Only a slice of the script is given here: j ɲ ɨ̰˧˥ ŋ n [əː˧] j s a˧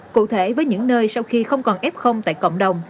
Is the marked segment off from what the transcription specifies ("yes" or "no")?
no